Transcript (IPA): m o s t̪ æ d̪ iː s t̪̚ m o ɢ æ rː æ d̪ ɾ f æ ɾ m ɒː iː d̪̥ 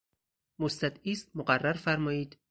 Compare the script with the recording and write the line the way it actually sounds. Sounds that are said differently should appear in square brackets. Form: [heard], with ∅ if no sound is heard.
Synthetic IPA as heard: m o s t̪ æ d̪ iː s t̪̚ m o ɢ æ rː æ [∅] ɾ f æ ɾ m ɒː iː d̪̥